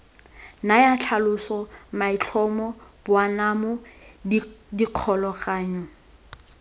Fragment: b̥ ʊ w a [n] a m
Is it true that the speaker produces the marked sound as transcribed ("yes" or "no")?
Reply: yes